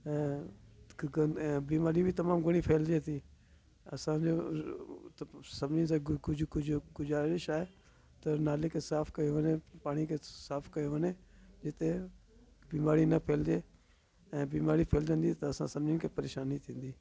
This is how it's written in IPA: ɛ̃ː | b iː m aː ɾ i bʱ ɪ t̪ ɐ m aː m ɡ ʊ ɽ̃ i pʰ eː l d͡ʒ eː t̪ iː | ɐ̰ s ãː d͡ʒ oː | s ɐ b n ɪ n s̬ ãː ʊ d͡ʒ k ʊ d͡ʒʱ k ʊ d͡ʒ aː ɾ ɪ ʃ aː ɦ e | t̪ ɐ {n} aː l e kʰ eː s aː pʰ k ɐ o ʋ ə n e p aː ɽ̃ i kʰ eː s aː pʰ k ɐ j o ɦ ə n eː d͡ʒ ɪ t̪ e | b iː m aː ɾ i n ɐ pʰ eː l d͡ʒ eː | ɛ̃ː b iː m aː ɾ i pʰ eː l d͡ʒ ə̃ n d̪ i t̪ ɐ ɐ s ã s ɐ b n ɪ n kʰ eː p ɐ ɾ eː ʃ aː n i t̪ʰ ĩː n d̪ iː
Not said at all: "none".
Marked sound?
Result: n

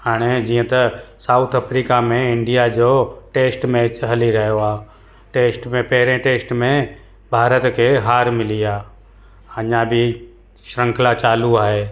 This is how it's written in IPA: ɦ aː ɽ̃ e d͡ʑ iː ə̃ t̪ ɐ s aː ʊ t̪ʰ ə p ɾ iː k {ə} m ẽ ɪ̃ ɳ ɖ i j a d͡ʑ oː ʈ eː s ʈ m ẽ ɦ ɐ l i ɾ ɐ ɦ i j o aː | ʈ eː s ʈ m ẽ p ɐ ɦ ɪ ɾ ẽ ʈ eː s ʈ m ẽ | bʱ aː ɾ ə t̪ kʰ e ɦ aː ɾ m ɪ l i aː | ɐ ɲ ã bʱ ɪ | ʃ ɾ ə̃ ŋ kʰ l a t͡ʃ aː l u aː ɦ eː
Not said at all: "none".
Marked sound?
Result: a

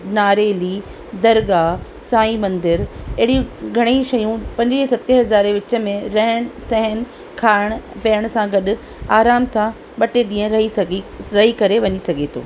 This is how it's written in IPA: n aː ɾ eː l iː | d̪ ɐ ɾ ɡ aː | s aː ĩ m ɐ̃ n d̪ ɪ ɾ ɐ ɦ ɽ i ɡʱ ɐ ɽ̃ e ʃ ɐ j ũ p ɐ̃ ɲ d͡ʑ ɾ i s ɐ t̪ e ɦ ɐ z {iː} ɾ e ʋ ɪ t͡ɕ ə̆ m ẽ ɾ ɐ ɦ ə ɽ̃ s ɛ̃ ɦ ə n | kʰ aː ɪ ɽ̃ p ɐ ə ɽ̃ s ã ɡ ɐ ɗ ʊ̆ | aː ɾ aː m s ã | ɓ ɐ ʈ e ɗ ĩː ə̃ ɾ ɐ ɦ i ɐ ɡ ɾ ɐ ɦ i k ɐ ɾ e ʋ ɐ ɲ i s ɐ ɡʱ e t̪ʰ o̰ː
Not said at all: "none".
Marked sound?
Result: aː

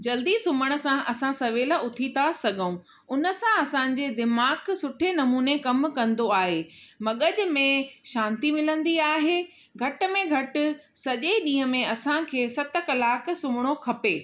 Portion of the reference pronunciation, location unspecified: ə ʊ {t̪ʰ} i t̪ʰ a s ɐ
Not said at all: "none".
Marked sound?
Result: t̪ʰ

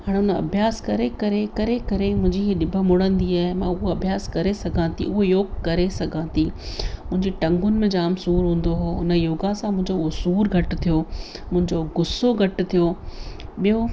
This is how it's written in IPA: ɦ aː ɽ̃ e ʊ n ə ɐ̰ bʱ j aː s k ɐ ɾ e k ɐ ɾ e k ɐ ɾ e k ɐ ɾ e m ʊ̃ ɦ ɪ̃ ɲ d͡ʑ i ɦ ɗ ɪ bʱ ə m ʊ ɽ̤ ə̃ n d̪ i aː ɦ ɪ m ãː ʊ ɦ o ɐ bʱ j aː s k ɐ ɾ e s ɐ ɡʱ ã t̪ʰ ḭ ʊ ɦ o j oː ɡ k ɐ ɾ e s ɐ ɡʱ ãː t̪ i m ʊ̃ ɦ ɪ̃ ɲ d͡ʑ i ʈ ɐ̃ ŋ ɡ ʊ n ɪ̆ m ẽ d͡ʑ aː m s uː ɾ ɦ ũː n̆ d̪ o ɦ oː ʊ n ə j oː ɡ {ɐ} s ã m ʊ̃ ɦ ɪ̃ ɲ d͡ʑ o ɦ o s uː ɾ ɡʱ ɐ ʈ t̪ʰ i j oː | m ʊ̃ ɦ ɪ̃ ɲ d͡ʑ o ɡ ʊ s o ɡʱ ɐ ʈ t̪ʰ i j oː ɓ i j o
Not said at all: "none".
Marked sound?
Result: a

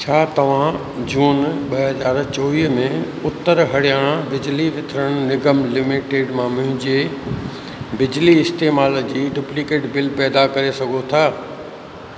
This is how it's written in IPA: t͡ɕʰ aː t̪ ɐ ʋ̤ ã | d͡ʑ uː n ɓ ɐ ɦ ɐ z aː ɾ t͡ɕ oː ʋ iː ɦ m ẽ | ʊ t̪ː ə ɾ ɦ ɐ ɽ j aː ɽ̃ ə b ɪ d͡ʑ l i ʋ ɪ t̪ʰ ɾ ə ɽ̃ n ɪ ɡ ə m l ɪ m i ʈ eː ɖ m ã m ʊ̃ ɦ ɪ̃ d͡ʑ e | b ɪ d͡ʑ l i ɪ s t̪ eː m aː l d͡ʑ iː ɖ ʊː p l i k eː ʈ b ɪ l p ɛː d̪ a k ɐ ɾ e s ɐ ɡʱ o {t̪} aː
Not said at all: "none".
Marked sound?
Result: t̪ʰ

